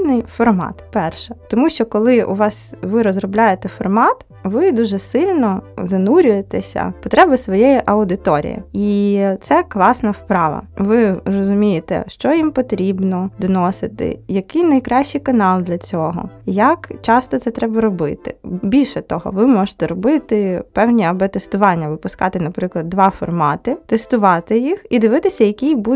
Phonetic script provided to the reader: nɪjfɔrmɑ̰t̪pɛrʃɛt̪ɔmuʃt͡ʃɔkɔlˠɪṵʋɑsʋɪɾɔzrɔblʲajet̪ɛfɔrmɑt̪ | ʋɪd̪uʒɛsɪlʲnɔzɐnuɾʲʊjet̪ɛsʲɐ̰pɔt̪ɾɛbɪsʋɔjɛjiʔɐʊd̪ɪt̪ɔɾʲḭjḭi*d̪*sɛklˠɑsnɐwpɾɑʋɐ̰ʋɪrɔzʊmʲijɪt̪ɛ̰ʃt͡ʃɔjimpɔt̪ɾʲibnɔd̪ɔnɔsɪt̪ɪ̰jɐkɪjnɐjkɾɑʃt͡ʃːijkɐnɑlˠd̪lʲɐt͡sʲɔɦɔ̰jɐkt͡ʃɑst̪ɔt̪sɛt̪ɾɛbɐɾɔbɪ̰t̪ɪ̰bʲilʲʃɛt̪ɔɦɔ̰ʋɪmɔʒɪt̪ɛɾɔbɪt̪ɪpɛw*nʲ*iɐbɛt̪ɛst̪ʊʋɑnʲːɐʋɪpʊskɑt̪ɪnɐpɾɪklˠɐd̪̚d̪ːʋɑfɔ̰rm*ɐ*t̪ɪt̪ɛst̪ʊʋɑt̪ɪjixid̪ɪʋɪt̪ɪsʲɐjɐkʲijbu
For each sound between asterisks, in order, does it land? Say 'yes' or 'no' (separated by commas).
no, yes, no